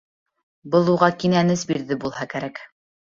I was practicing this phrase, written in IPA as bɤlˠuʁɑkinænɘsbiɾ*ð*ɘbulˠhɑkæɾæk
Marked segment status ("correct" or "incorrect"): correct